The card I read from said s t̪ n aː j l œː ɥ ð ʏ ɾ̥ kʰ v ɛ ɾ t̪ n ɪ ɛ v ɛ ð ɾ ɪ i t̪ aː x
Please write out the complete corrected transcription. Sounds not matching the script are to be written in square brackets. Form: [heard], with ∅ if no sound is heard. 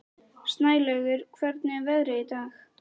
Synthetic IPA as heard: s t̪ n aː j l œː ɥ [ɣ] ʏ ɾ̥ kʰ v ɛ ɾ t̪ n ɪ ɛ v ɛ ð ɾ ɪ i t̪ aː x